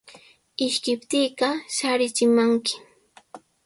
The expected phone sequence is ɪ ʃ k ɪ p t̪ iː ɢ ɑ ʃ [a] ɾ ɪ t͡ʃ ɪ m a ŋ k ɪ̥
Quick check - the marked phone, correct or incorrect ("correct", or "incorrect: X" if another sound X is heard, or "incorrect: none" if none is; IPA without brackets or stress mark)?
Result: correct